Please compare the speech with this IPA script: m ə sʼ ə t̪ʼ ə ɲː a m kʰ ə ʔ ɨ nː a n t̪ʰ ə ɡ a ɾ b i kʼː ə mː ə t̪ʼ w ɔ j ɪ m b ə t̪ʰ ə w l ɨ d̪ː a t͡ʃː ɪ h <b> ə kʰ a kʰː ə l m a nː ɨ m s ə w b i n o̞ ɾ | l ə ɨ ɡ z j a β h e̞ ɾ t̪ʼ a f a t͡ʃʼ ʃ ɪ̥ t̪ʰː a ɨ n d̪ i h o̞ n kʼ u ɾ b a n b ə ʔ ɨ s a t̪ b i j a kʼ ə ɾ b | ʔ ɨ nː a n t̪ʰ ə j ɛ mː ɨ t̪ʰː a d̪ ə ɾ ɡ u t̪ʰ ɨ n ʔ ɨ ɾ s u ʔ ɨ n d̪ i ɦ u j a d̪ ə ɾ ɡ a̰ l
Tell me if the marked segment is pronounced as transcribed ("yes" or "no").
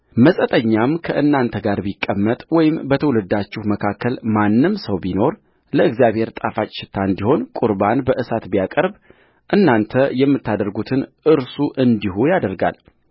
no